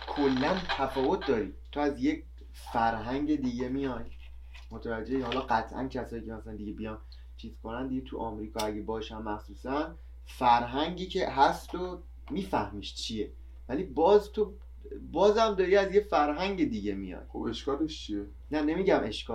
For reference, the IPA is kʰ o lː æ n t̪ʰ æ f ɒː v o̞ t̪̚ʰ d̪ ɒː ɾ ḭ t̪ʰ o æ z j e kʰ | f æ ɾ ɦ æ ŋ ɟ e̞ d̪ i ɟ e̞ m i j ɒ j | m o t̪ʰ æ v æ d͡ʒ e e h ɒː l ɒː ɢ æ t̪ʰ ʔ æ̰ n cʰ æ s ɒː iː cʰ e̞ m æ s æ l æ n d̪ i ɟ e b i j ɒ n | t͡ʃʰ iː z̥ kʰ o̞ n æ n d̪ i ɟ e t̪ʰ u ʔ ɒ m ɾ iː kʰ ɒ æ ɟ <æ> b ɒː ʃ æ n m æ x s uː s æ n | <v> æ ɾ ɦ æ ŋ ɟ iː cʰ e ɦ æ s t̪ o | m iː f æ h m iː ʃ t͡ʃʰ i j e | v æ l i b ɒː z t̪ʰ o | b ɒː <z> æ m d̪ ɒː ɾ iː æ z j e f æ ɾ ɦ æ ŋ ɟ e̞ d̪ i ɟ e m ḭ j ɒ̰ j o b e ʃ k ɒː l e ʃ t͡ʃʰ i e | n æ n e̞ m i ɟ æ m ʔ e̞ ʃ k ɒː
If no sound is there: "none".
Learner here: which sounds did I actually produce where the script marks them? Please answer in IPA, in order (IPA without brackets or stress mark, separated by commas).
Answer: e, f, z